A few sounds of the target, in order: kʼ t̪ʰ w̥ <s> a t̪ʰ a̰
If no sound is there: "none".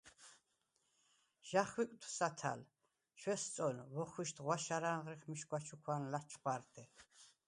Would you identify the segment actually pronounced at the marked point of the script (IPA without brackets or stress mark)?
s